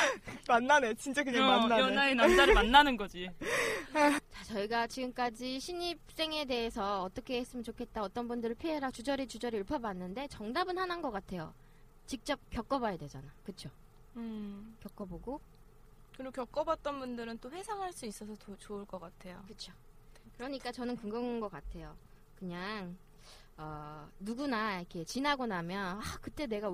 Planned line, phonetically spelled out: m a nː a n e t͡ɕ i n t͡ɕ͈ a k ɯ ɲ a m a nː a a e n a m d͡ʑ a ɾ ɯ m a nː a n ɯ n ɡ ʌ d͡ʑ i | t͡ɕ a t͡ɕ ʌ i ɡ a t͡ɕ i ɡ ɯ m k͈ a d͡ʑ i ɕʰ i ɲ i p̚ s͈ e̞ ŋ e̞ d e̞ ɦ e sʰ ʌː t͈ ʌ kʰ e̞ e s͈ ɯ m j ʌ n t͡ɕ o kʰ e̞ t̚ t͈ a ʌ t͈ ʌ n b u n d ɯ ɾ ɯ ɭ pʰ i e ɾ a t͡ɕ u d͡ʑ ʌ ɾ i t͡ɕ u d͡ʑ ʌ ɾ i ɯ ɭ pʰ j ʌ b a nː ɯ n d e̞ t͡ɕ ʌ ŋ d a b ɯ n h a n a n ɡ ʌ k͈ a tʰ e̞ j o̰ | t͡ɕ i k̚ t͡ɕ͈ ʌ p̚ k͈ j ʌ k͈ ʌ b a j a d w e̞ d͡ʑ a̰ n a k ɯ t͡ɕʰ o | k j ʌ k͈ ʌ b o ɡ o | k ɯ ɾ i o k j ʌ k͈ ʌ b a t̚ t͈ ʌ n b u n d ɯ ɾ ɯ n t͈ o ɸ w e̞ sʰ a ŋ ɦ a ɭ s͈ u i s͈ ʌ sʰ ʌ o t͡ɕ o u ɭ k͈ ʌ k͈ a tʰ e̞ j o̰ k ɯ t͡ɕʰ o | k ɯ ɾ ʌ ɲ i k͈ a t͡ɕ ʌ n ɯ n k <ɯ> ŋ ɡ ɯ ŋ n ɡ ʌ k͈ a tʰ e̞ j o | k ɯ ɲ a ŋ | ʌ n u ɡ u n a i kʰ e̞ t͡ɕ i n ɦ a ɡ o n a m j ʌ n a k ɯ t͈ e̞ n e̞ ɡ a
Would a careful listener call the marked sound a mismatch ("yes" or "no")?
no